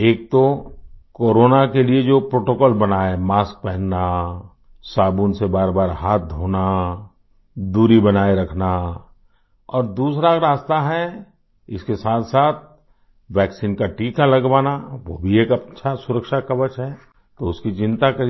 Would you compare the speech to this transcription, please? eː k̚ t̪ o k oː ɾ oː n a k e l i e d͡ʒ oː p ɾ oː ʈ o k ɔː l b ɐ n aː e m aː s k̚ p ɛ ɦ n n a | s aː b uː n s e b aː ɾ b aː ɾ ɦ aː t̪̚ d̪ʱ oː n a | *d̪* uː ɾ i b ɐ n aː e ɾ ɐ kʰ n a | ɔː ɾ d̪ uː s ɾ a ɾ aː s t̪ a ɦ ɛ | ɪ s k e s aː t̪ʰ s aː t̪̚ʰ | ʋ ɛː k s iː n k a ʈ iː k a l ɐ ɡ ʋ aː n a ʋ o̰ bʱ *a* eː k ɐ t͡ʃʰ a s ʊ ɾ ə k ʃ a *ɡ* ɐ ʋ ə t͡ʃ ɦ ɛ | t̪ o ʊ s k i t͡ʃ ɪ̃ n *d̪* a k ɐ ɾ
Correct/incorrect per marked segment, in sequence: correct, incorrect: i, incorrect: k, incorrect: t̪

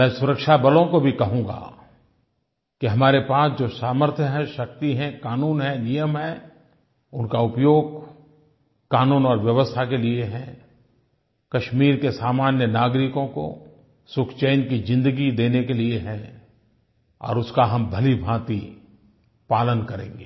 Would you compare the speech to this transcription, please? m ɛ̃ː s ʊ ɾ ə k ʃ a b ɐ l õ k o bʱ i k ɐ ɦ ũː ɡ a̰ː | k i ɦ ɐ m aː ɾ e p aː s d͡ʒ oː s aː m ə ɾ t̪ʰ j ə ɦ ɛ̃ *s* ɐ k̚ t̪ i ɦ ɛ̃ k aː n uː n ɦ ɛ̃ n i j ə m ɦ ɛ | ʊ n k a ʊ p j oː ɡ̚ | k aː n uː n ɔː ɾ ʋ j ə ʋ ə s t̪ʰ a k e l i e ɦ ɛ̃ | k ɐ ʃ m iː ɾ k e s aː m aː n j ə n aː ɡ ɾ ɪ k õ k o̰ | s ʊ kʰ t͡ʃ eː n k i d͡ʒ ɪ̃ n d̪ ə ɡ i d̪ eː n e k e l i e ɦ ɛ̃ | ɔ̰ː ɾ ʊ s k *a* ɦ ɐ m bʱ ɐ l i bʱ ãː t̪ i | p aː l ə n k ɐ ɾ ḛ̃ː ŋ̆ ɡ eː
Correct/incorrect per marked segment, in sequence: incorrect: ʃ, correct

